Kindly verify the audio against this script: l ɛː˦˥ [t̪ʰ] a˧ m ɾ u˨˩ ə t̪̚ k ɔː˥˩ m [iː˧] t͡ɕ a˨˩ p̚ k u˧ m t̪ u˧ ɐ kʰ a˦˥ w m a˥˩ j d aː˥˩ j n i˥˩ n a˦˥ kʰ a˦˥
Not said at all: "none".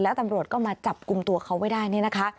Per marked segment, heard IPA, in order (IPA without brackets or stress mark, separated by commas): t̪, aː˧